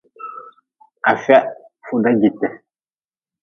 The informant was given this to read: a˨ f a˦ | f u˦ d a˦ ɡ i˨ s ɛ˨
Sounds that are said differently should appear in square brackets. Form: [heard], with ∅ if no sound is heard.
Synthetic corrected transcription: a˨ f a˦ | f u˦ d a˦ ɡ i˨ [t] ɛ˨